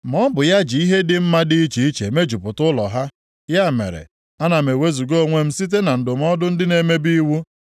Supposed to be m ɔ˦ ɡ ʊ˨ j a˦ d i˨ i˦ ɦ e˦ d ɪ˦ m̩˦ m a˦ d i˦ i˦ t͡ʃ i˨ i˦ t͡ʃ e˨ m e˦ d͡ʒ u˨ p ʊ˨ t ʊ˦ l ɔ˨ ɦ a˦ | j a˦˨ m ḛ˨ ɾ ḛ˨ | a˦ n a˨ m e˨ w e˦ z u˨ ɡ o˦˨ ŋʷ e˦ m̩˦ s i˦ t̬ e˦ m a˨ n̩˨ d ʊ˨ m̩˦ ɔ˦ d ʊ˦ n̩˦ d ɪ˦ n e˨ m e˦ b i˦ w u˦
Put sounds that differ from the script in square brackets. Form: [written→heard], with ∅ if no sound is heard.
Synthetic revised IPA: m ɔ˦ [ɡ→b] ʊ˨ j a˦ [d→d͡ʒ] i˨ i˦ ɦ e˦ d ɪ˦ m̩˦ m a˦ d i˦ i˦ t͡ʃ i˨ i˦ t͡ʃ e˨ m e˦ d͡ʒ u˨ p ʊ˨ t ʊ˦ l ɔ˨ ɦ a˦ | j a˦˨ m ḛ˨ ɾ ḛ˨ | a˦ n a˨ m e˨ w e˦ z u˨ ɡ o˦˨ ŋʷ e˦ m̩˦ s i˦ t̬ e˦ [m→n] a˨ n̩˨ d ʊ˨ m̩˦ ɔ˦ d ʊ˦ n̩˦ d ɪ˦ n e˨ m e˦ b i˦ w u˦